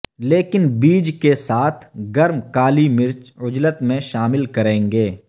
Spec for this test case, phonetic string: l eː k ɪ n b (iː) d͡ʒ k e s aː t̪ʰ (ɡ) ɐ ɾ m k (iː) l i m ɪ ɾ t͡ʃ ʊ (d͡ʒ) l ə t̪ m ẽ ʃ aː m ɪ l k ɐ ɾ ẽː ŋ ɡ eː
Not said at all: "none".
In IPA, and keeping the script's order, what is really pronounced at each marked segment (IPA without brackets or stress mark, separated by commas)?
iː, ɡ, aː, d͡ʒ